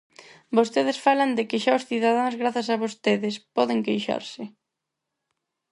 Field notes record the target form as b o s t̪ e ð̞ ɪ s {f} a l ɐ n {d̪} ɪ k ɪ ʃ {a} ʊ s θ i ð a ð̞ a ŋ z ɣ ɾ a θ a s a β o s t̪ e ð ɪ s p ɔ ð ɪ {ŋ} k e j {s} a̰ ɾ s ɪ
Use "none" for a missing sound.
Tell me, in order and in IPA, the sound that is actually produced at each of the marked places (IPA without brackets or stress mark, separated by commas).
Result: f, d̪, a, ŋ, ʃ